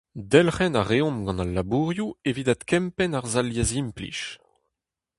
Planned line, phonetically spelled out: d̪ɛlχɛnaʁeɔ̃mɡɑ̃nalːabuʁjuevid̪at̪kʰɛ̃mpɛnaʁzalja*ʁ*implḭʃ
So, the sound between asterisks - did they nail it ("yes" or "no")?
no